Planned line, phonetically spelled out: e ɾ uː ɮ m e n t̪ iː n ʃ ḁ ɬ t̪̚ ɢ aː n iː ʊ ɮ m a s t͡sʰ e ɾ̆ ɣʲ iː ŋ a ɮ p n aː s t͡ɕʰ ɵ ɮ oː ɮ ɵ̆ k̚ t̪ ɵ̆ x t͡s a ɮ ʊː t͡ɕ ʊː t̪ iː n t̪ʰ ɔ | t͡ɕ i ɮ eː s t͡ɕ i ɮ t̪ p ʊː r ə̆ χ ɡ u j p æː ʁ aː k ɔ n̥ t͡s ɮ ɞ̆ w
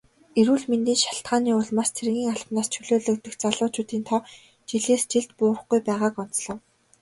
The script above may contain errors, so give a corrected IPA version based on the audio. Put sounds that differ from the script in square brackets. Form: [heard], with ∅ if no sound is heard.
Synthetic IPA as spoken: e ɾ uː ɮ m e n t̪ iː n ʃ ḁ ɬ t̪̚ ɢ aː n iː ʊ ɮ m a s t͡sʰ e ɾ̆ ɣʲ iː ŋ a ɮ p n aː s t͡ɕʰ ɵ ɮ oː ɮ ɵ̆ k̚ t̪ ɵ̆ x t͡s a ɮ ʊː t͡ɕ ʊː t̪ iː n t̪ʰ ɔ | t͡ɕ i ɮ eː s t͡ɕ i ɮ t̪ p ʊː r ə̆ χ ɡ u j p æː ʁ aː k ɔ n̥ t͡s ɮ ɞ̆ w